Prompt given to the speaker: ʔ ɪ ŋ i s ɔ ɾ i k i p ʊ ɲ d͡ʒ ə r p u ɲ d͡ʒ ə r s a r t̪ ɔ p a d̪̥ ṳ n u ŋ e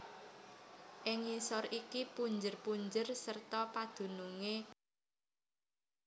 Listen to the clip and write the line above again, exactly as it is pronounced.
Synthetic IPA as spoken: ʔ ɪ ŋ i s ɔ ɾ i k i p u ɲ d͡ʒ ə r p u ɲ d͡ʒ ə r s ə r t̪ ɔ p a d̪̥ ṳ n u ŋ e

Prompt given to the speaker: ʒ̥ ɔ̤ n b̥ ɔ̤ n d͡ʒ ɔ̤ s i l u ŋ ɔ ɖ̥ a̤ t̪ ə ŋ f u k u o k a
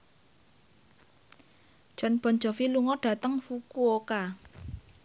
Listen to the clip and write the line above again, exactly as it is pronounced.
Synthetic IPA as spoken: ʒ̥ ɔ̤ n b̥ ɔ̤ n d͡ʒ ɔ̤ f i l u ŋ ɔ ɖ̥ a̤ t̪ ə ŋ f u k u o k a

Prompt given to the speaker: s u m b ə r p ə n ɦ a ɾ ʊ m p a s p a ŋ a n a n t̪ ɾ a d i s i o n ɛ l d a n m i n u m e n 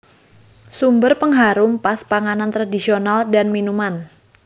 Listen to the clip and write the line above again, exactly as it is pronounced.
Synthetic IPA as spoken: s u m b ə r p ə ŋ ɦ a ɾ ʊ m p a s p a ŋ a n a n t̪ ɾ a d i s i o n a l d a n m i n u m a n

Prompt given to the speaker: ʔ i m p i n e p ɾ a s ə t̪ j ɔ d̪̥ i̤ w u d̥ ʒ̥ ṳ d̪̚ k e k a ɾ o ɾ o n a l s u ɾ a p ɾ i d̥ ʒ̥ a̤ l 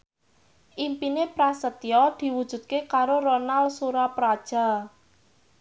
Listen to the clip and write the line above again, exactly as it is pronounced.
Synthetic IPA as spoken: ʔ i m p i n e p ɾ a s ə t̪ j ɔ d̪̥ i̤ w u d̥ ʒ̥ ṳ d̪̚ k e k a ɾ o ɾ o n a l s u ɾ a p ɾ a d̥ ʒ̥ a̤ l

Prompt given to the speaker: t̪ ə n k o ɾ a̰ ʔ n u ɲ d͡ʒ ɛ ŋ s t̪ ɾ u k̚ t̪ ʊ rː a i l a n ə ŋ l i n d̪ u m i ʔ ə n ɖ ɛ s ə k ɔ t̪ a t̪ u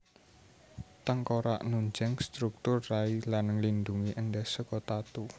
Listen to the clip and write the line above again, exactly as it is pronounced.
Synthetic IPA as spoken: t̪ ə ŋ k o ɾ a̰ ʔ n u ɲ d͡ʒ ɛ ŋ s t̪ ɾ u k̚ t̪ ʊ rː a i l a n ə ŋ l i n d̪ u ŋ i ʔ ə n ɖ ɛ s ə k ɔ t̪ a t̪ u

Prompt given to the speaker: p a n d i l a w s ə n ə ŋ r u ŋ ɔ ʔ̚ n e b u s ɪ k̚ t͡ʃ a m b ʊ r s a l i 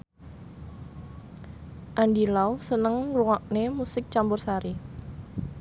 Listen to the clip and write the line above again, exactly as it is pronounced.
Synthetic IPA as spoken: ʔ a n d i l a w s ə n ə ŋ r u ŋ ɔ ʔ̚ n e m u s ɪ k̚ t͡ʃ a m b ʊ r s a ɾ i

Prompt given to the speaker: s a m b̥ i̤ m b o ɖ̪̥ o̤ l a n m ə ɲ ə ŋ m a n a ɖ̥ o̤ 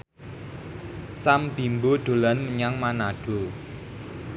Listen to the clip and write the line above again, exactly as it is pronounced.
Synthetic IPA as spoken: s a m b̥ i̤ m b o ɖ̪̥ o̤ l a n m ə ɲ a ŋ m a n a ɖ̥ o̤

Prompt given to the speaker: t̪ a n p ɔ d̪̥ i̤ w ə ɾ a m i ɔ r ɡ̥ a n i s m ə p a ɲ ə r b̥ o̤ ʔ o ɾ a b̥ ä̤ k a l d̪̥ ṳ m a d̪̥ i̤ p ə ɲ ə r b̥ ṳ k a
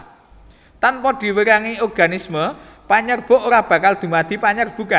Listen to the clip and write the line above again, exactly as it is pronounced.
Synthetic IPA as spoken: t̪ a n p ɔ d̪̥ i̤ w ə ɾ a ŋ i ɔ r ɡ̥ a n i s m ə p a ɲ ə r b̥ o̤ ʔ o ɾ a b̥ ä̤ k a l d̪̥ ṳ m a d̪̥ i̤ p a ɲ ə r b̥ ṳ k a

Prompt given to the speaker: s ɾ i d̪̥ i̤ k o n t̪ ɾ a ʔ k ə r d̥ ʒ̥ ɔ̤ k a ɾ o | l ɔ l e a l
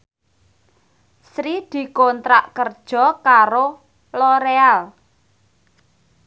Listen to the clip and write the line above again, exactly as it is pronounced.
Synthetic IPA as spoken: s ɾ i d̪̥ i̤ k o n t̪ ɾ a ʔ k ə r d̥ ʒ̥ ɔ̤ k a ɾ o | l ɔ ɾ e a l

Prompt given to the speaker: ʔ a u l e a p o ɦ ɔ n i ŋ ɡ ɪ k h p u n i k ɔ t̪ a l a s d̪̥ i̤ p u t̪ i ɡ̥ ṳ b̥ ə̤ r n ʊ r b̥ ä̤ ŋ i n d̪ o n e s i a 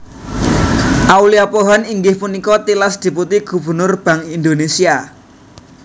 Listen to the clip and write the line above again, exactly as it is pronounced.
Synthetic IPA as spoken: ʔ a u l i a p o ɦ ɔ n i ŋ ɡ ɪ h p u n i k ɔ t̪ i l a s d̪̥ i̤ p u t̪ i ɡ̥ ṳ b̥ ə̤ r n ʊ r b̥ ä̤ ŋ i n d̪ o n e s i a

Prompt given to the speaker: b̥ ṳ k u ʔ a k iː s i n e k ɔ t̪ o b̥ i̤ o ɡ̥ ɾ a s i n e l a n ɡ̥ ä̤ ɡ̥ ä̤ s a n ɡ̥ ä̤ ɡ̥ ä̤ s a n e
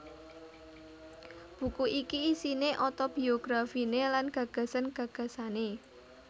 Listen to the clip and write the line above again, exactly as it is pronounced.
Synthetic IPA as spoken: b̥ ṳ k u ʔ i k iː s i n e ʔ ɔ t̪ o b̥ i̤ o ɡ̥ ɾ a f i n e l a n ɡ̥ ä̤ ɡ̥ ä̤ s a n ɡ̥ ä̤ ɡ̥ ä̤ s a n e

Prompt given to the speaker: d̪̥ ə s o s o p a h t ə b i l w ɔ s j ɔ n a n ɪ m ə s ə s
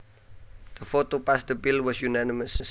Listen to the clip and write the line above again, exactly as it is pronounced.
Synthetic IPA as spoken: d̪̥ ə f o t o p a s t ə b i l w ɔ s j u n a n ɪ m ə s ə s

